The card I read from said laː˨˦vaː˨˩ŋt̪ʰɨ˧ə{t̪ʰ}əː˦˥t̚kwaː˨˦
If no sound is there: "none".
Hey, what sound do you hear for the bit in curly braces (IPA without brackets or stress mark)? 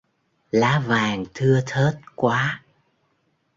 t̪ʰ